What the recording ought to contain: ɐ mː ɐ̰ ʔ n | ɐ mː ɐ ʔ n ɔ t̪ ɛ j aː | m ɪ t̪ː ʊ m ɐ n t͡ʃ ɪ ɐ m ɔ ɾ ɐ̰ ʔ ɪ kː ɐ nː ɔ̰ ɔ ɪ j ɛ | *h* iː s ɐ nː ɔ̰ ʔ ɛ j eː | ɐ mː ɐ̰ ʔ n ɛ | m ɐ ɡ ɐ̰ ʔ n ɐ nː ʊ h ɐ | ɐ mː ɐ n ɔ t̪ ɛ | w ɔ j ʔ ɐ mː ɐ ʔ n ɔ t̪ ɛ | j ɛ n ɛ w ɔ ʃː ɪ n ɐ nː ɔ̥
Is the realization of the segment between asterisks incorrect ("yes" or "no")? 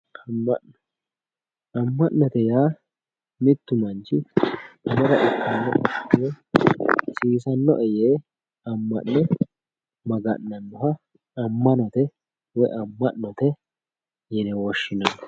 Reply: yes